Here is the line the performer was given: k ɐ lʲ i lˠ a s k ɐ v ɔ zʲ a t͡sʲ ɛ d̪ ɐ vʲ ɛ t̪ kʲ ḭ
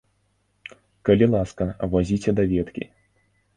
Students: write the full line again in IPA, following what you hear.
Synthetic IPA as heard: k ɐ lʲ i lˠ a s k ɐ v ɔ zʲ i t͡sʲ ɛ d̪ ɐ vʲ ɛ t̪ kʲ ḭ